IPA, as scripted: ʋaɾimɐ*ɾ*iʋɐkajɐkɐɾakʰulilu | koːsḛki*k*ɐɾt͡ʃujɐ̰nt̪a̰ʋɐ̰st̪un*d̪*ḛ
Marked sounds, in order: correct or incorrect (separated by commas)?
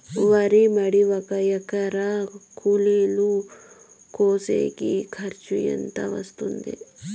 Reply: incorrect, incorrect, correct